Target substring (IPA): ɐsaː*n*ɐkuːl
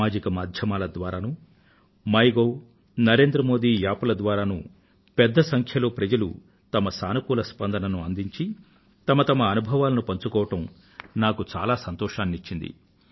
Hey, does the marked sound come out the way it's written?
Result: yes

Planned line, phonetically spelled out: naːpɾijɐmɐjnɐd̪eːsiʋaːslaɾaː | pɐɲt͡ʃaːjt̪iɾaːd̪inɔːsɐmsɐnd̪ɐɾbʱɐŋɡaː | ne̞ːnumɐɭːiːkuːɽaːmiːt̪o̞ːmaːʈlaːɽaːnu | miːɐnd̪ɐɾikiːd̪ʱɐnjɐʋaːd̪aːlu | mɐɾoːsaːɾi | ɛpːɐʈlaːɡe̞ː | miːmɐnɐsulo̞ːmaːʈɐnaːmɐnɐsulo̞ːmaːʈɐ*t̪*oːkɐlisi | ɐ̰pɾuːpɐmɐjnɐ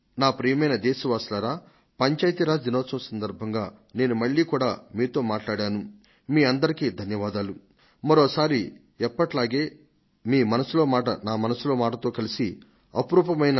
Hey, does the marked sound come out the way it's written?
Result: yes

